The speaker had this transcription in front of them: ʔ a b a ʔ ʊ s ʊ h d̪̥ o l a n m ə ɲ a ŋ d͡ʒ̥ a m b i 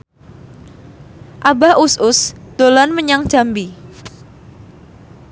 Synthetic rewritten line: ʔ a b a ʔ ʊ s ʊ s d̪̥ o l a n m ə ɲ a ŋ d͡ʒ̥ a m b i

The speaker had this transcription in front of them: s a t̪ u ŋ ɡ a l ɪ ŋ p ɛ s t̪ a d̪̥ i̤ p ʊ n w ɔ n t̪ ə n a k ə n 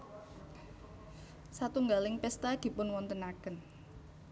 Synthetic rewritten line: s a t̪ u ŋ ɡ a l ɪ ŋ p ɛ s t̪ a d̪̥ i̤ p ʊ n w ɔ n t̪ ə n a k ə n

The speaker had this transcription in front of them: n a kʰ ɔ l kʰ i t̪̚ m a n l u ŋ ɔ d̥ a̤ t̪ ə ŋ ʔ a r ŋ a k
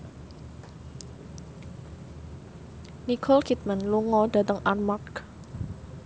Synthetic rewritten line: n i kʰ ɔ l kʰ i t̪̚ m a n l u ŋ ɔ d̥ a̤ t̪ ə ŋ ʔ a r m a k

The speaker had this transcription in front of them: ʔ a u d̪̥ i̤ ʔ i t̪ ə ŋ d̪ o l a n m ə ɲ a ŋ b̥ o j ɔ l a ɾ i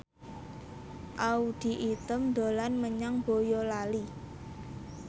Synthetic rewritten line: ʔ a u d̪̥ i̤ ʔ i t̪ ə m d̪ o l a n m ə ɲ a ŋ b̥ o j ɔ l a l i

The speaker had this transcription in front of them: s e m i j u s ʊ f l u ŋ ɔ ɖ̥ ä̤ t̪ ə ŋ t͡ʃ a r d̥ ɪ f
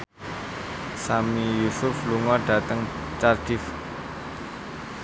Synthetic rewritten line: s a m i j u s ʊ f l u ŋ ɔ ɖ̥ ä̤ t̪ ə ŋ t͡ʃ a r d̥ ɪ f

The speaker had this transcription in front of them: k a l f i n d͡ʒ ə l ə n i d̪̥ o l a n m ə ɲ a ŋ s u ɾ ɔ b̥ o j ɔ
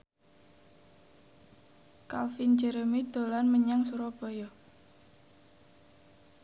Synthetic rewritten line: k a l f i n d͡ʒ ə ɾ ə m i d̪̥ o l a n m ə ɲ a ŋ s u ɾ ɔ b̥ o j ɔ

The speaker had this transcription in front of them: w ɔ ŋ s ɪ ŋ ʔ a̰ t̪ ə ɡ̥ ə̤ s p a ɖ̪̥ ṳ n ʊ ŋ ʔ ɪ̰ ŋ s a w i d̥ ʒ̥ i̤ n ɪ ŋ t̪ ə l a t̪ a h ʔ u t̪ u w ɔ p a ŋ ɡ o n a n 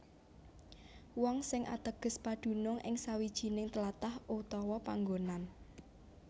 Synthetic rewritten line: w ɔ ŋ s ɪ ŋ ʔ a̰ t̪ ə ɡ̥ ə̤ s p a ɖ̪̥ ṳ n ʊ ŋ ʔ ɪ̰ ŋ s a w i d̥ ʒ̥ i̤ n ɪ ŋ t̪ ə l a t̪ a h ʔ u t̪ ɔ w ɔ p a ŋ ɡ o n a n

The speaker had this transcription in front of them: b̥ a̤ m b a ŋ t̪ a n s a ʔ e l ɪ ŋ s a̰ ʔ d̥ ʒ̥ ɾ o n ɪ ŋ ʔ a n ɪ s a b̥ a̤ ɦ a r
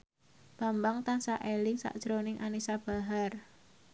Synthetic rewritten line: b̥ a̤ m b a ŋ t̪ a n s a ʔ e l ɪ ŋ s a̰ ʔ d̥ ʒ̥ ɾ o n ɪ ŋ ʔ a n i s a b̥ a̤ ɦ a r

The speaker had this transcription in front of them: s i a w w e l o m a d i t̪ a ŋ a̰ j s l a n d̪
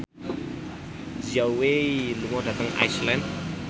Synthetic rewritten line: z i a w w e l u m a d a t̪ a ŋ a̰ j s l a n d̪

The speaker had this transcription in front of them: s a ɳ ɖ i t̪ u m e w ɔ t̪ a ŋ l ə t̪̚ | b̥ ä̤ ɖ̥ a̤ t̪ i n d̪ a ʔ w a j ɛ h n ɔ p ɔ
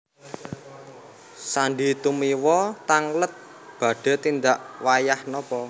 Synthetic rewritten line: s a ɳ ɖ i t̪ u m i w ɔ t̪ a ŋ l ə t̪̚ | b̥ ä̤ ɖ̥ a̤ t̪ i n d̪ a ʔ w a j a h n ɔ p ɔ

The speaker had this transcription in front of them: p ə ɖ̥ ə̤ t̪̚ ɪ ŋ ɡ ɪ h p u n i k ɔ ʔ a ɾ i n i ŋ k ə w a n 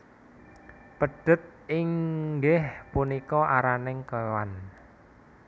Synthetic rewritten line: p ə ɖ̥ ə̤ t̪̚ ɪ ŋ ɡ ɪ h p u n i k ɔ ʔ a ɾ a n ɪ ŋ k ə w a n

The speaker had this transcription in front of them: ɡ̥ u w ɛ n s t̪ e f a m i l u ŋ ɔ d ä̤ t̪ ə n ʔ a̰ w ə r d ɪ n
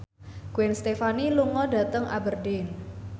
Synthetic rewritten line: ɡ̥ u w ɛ n s t̪ e f a n i l u ŋ ɔ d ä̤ t̪ ə ŋ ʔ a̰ b ə r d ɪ n

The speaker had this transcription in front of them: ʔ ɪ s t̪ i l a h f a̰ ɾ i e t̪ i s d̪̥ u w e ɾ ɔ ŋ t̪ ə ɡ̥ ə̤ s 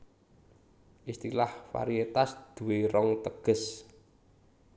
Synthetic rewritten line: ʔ i s t̪ i l a h f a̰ ɾ i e t̪ a s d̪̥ u w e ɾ ɔ ŋ t̪ ə ɡ̥ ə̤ s

